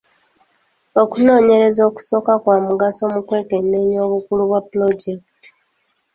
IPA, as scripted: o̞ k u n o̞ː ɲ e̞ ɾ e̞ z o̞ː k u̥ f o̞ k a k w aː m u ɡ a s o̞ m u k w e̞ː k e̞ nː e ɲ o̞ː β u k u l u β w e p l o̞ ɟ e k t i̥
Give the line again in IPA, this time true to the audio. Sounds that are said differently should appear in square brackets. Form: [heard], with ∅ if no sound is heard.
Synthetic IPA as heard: o̞ k u n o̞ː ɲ e̞ ɾ e̞ z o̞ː k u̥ [s] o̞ k a k w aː m u ɡ a s o̞ m u k w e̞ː k e̞ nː e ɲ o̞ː β u k u l u β w [a] p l o̞ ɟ e k t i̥

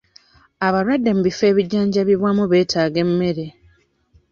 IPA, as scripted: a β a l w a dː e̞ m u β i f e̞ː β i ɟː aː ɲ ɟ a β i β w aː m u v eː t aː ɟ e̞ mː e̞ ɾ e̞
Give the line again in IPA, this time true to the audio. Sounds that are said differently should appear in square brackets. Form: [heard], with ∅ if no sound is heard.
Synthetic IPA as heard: a β a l w a dː e̞ m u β i f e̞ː β i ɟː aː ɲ ɟ a β i β w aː m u [β] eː t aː [ɡ] e̞ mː e̞ ɾ e̞

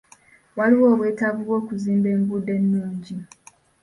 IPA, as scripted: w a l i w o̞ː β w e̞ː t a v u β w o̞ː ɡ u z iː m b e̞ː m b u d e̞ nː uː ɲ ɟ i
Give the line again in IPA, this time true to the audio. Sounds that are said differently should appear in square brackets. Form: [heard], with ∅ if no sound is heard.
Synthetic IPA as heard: w a l i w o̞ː β w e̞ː t a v u β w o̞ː [k] u z iː m b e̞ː m b u d e̞ nː uː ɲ ɟ i

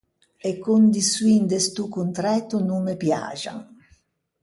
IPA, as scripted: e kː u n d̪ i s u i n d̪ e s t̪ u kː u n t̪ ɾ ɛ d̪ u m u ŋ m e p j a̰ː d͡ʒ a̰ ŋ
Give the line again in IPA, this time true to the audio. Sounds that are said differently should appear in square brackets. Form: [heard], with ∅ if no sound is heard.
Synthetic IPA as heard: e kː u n d̪ i s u i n d̪ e s t̪ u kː u n t̪ ɾ ɛ [t̪] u [n] u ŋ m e p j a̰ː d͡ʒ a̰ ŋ

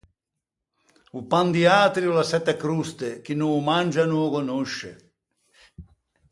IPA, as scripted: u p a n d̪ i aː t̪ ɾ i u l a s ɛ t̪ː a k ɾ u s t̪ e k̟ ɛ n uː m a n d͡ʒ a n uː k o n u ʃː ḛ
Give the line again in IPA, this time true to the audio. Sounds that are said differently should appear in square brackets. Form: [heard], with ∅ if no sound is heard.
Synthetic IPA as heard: u p a n d̪ i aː t̪ ɾ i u l a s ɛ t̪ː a k ɾ u s t̪ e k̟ [i] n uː m a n d͡ʒ a n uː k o n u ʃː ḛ

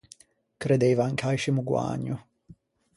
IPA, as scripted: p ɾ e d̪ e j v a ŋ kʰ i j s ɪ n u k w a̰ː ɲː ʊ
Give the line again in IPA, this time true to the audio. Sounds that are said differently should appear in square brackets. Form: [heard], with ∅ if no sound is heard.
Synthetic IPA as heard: [k] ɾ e d̪ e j v a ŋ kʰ [a] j [ʃ] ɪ [m] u [ɡ] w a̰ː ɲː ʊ

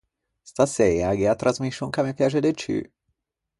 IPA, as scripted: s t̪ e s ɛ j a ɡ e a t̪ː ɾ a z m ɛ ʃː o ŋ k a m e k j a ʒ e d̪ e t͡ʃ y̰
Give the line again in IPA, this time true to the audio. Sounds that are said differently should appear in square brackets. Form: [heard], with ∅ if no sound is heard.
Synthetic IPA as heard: s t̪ [a] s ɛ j a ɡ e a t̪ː ɾ a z m [i] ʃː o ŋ k a m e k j a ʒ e d̪ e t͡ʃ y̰

